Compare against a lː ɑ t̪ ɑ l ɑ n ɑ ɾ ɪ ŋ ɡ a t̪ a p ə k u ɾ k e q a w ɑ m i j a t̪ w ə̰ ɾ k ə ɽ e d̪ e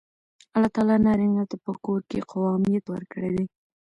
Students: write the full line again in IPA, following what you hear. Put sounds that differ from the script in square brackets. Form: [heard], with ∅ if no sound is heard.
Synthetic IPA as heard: a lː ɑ t̪ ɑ l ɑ n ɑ ɾ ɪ ŋ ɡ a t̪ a p ə k [o] ɾ k e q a w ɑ m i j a t̪ w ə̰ ɾ k ə ɽ e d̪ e